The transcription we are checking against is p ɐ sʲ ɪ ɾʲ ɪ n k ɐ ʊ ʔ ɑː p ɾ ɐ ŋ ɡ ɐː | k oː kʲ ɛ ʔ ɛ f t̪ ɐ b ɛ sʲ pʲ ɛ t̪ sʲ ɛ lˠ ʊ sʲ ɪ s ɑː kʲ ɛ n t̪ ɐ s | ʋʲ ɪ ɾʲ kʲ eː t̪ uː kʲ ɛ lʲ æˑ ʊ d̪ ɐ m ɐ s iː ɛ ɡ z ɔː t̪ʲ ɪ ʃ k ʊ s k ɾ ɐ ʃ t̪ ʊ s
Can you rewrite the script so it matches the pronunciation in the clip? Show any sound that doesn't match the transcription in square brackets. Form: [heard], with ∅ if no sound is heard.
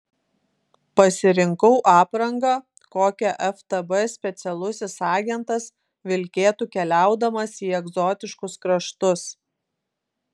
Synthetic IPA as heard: p ɐ sʲ ɪ ɾʲ ɪ [ŋ] k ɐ ʊ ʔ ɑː p ɾ ɐ ŋ ɡ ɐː | k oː kʲ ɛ ʔ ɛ f t̪ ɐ b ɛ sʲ pʲ ɛ t̪ sʲ ɛ lˠ ʊ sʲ ɪ s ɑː [ɡʲ] ɛ n t̪ ɐ s | ʋʲ ɪ [lʲ] kʲ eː t̪ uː kʲ ɛ lʲ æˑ ʊ d̪ ɐ m ɐ s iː ɛ ɡ z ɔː t̪ʲ ɪ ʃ k ʊ s k ɾ ɐ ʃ t̪ ʊ s

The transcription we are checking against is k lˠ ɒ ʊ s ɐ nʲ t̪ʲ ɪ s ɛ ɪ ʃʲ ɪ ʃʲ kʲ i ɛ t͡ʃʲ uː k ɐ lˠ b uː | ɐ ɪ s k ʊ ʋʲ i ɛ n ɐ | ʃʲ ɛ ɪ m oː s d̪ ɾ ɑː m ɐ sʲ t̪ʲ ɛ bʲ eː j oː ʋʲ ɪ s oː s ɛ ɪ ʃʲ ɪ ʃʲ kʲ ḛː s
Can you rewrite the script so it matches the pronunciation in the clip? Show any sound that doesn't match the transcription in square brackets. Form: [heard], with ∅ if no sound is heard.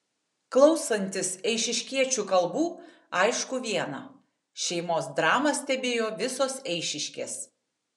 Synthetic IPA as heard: k lˠ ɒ ʊ s ɐ nʲ t̪ʲ ɪ s ɛ ɪ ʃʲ ɪ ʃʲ kʲ i ɛ t͡ʃʲ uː k ɐ lˠ b uː | ɐ ɪ [ʃ] k ʊ ʋʲ i ɛ n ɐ | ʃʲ ɛ ɪ m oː s d̪ ɾ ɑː m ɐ sʲ t̪ʲ ɛ bʲ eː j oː ʋʲ ɪ s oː s ɛ ɪ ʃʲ ɪ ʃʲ kʲ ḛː s

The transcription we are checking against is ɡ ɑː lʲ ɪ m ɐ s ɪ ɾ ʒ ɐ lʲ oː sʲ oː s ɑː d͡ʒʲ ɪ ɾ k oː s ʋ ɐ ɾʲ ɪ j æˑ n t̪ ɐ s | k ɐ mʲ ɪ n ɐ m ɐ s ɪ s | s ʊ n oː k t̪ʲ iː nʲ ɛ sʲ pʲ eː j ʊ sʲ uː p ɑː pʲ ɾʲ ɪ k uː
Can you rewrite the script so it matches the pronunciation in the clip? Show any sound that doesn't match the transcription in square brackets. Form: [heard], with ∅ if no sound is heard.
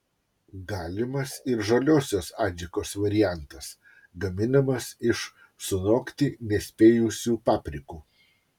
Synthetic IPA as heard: ɡ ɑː lʲ ɪ m ɐ s ɪ ɾ ʒ ɐ lʲ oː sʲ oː s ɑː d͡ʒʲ ɪ [∅] k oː s ʋ ɐ ɾʲ ɪ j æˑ n t̪ ɐ s | [ɡ] ɐ mʲ ɪ n ɐ m ɐ s ɪ [ʃ] | s ʊ n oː k t̪ʲ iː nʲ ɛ sʲ pʲ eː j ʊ sʲ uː p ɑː pʲ ɾʲ ɪ k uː

